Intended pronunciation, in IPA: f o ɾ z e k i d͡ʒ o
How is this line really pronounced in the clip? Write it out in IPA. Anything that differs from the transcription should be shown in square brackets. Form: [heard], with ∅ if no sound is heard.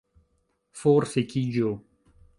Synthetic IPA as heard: f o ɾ [s] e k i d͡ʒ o